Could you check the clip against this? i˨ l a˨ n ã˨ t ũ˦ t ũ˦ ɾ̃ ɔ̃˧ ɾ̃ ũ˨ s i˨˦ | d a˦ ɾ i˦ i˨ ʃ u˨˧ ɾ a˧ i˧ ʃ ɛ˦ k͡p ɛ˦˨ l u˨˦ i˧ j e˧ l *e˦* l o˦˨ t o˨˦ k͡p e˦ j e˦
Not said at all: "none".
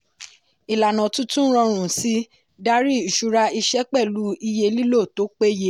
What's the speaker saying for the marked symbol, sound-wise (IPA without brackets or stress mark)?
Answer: i˦